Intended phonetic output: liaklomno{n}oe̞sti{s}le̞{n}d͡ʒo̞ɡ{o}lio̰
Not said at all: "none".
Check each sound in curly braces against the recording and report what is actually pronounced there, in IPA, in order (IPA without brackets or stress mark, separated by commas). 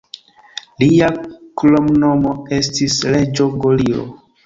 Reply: m, s, none, o